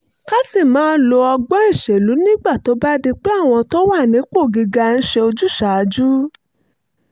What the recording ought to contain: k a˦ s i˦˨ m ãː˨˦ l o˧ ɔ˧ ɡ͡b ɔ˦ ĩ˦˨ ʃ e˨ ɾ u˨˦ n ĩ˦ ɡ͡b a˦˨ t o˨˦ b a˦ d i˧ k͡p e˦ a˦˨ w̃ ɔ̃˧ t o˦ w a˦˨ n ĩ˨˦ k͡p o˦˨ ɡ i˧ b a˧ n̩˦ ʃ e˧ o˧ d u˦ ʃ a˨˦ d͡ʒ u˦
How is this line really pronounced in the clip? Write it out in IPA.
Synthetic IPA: k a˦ s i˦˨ m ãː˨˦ l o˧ ɔ˧ ɡ͡b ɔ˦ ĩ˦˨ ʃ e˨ l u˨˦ n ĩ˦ ɡ͡b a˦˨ t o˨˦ b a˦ d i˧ k͡p e˦ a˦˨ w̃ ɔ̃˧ t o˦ w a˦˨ n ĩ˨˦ k͡p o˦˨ ɡ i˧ ɡ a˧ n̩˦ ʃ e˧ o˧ d͡ʒ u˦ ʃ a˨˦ d͡ʒ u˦